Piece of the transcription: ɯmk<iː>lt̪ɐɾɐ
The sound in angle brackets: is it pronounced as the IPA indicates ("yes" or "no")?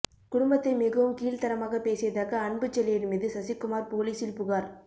yes